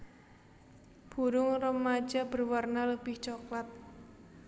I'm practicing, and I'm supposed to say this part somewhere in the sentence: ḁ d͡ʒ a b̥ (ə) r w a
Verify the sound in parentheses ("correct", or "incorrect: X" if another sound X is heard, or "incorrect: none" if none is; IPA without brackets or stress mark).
correct